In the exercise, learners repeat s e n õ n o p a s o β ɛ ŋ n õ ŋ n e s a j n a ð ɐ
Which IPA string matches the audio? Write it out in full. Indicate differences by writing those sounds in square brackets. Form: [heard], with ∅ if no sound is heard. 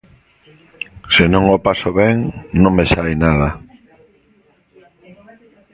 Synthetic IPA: s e n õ [ŋ] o p a s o β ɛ ŋ n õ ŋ [m] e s a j n a ð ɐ